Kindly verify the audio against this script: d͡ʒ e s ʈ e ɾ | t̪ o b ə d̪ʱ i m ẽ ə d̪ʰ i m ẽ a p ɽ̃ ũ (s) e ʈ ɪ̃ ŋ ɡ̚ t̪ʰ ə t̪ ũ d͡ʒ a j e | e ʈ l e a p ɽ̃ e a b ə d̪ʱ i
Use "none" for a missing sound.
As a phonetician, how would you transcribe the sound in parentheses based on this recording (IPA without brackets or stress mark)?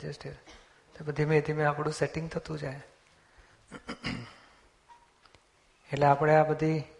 s